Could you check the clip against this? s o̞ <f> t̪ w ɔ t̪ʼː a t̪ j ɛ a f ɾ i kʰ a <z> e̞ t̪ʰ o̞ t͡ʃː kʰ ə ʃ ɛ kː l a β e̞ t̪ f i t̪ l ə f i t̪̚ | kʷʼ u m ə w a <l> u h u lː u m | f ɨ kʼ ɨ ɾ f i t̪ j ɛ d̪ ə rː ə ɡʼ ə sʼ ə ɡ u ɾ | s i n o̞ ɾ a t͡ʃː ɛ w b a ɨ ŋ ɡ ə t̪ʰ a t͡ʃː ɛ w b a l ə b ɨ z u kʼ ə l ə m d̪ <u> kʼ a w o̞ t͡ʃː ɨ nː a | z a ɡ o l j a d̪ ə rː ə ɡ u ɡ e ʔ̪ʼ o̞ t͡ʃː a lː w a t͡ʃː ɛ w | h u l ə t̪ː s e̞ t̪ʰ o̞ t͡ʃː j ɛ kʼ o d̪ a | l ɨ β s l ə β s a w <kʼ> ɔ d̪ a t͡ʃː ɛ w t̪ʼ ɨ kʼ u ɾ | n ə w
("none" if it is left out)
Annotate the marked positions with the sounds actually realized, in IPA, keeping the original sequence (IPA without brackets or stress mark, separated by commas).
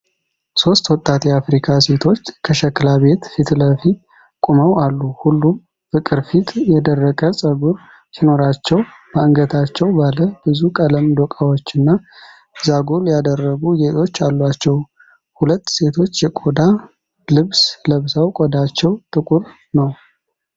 s, s, lː, o, kʼ